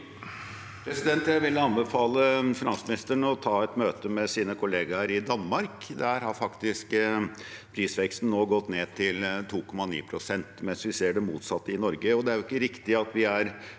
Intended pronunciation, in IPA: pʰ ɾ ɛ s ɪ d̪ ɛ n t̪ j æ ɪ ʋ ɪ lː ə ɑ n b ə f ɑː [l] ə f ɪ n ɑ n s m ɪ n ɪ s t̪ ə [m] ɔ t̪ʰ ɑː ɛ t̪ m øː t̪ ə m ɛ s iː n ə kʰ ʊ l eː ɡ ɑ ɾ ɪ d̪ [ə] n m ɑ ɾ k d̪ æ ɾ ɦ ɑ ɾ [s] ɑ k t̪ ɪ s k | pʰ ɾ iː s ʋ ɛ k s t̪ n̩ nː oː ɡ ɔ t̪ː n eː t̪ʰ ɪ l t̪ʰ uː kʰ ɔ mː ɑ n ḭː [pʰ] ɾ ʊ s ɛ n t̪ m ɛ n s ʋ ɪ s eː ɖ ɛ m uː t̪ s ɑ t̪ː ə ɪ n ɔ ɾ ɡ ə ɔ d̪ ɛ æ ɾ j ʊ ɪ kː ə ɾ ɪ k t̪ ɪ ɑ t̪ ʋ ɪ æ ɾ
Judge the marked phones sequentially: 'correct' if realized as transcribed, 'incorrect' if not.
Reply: correct, incorrect: ɳ, incorrect: ɑ, incorrect: f, correct

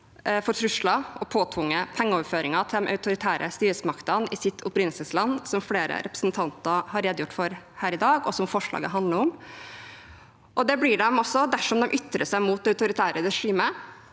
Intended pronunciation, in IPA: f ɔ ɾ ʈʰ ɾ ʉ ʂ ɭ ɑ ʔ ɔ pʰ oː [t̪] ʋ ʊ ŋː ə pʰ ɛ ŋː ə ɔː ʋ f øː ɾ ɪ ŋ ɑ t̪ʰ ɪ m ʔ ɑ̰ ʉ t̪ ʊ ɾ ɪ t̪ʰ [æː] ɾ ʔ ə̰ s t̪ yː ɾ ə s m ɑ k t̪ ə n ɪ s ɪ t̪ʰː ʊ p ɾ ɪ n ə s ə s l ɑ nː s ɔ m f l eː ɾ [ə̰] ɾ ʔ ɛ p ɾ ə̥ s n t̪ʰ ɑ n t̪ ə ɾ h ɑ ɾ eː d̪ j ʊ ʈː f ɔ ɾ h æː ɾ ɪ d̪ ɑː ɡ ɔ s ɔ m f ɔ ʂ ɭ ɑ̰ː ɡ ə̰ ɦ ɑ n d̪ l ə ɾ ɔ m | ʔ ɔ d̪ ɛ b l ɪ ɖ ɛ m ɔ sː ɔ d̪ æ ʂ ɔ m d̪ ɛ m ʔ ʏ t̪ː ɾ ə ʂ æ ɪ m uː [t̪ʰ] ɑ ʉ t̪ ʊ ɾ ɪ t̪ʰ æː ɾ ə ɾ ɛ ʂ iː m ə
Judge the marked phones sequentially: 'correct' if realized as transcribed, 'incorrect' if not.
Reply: incorrect: t̪ʰ, correct, correct, incorrect: t̪

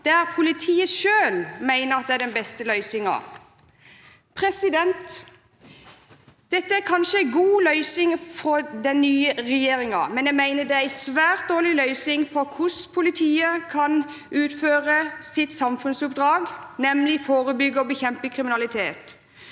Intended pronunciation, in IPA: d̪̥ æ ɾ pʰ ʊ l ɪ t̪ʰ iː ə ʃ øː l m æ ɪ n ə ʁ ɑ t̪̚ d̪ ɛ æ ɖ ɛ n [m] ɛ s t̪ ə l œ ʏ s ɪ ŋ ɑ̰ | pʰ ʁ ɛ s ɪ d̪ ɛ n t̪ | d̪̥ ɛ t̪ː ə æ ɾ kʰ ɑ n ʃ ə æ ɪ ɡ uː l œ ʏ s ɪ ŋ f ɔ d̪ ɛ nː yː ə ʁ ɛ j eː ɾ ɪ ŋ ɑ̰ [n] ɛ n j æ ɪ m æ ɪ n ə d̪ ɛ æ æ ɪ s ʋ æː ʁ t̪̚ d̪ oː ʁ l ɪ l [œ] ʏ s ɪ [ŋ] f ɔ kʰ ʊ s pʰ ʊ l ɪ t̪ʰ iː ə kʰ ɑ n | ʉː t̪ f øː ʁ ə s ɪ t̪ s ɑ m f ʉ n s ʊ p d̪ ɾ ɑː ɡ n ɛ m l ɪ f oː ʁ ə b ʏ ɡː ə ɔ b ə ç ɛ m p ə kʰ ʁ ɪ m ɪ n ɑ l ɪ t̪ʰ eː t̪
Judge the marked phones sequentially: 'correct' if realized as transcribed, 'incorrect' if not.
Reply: incorrect: b, incorrect: m, correct, correct

